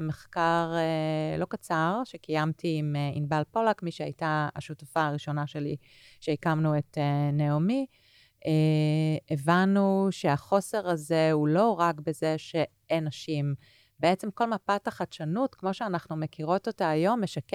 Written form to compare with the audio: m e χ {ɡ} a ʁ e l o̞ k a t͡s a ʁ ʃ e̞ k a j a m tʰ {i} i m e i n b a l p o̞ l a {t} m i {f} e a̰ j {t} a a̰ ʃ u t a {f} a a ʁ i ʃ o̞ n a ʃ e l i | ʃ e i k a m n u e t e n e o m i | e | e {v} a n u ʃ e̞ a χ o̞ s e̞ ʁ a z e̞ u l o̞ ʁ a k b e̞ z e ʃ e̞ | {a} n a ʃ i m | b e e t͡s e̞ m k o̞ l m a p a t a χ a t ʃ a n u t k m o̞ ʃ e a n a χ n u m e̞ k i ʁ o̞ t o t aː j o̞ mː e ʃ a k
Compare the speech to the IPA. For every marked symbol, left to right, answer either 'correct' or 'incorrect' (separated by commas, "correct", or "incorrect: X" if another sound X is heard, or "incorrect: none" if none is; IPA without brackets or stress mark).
incorrect: k, correct, incorrect: k, incorrect: ʃ, correct, correct, correct, incorrect: e